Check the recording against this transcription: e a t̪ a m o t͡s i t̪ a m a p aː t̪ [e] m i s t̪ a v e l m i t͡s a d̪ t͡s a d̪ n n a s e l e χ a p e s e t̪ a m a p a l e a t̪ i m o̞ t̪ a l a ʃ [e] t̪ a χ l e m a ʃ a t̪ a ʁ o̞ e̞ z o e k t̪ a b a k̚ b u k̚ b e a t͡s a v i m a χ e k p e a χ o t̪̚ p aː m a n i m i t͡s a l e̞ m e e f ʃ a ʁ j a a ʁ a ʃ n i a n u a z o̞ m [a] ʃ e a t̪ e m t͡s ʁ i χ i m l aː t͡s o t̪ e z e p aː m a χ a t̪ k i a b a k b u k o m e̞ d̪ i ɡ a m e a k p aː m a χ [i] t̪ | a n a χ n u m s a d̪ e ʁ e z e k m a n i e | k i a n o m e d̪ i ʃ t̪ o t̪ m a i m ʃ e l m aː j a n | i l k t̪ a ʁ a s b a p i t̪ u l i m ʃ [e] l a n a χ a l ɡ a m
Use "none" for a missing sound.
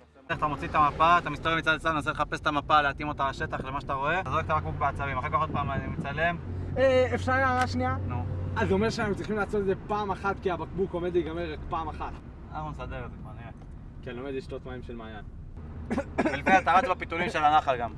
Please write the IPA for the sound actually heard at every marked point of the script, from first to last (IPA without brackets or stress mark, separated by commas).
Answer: a, e, e, a, e